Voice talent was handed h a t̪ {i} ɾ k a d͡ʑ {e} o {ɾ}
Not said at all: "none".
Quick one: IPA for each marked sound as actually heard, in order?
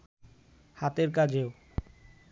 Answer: e, e, none

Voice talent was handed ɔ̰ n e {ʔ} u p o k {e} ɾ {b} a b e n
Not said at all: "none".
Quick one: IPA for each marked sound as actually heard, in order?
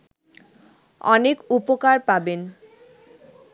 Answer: k, a, p

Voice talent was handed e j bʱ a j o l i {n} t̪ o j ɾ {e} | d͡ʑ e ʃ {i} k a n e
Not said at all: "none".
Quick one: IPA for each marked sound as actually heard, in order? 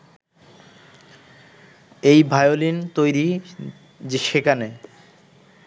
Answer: n, i, e

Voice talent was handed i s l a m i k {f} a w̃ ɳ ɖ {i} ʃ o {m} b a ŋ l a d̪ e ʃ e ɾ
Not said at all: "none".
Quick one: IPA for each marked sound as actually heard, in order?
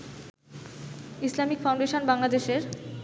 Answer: f, e, n

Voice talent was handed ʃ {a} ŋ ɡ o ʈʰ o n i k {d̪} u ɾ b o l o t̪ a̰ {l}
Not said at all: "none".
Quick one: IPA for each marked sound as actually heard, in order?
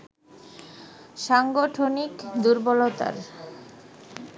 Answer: a, d̪, ɾ

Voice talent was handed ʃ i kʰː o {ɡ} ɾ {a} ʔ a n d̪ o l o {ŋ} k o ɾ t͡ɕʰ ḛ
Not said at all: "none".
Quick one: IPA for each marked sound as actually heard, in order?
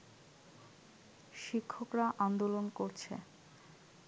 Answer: k, a, n

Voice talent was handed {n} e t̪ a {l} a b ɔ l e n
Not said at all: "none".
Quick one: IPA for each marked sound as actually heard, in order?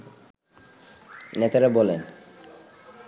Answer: n, ɾ

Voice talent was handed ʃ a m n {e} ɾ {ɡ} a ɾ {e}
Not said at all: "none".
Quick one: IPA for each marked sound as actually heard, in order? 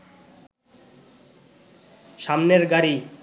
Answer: e, ɡ, i

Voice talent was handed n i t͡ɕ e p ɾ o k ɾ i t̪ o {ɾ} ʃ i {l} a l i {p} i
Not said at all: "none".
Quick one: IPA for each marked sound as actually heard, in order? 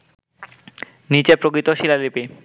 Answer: none, l, p

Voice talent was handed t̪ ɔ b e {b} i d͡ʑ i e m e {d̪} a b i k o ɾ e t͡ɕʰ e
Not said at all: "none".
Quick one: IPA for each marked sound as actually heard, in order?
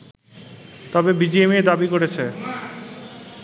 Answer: b, d̪

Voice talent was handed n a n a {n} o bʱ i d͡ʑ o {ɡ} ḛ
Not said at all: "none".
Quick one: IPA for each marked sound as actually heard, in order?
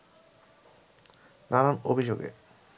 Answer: n, ɡ

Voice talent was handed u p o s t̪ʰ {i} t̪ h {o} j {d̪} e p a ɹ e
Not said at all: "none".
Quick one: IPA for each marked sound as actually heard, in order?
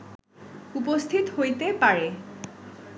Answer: i, o, t̪

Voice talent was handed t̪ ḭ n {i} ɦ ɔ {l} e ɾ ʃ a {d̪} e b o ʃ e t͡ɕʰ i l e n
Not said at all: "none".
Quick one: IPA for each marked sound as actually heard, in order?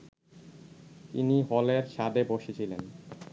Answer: i, l, d̪

